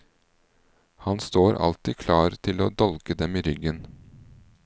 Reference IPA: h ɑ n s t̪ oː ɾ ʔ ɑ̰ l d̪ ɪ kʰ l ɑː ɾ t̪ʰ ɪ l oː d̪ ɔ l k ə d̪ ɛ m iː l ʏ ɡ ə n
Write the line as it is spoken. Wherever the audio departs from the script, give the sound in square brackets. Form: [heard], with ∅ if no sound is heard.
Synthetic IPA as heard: h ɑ n s t̪ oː ɾ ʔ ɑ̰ l [t̪] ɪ kʰ l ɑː ɾ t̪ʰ ɪ l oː d̪ ɔ l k ə d̪ ɛ m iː [ɾ] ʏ ɡ ə n